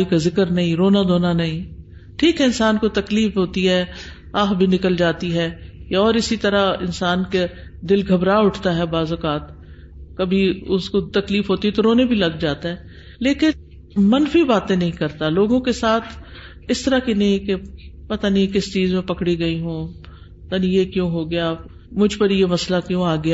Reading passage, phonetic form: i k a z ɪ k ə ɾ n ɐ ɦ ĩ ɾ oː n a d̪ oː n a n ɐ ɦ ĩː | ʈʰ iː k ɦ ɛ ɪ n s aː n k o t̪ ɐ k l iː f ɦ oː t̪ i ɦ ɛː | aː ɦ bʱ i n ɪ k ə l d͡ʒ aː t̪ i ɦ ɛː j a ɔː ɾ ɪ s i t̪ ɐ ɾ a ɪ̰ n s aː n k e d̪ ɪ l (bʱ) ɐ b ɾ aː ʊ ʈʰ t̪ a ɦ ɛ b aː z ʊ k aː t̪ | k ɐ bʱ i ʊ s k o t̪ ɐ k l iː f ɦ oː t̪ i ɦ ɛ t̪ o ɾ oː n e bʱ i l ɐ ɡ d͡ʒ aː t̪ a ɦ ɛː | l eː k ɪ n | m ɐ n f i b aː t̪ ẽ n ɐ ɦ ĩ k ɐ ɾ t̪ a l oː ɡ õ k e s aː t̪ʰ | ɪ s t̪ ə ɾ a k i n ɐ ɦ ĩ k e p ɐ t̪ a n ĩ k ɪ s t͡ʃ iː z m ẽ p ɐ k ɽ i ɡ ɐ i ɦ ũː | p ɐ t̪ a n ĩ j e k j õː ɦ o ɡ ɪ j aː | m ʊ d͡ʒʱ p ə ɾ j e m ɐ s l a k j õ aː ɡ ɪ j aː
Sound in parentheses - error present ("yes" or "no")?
yes